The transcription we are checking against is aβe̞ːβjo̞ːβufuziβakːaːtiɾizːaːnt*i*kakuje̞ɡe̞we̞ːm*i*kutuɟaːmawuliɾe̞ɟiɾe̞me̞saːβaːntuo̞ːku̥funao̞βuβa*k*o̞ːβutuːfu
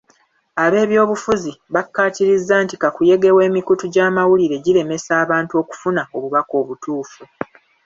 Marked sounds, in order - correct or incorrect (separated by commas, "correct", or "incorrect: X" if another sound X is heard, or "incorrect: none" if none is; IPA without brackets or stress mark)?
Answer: correct, correct, correct